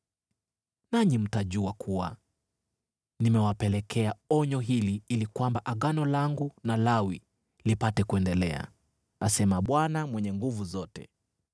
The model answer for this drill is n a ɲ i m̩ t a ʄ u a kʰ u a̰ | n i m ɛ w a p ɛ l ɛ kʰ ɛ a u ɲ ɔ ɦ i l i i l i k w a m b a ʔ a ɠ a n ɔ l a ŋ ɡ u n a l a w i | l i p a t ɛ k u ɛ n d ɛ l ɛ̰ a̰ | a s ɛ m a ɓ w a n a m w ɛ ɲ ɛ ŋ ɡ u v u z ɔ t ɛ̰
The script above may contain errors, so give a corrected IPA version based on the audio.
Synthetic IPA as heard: n a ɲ i m̩ t a ʄ u a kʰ u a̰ | n i m ɛ w a p ɛ l ɛ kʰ ɛ a ɔ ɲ ɔ ɦ i l i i l i k w a m b a ʔ a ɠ a n ɔ l a ŋ ɡ u n a l a w i | l i p a t ɛ k u ɛ n d ɛ l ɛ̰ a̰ | a s ɛ m a ɓ w a n a m w ɛ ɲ ɛ ŋ ɡ u v u z ɔ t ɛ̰